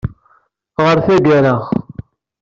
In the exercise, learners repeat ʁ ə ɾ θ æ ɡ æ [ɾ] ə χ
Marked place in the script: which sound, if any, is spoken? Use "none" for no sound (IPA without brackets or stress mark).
ɾ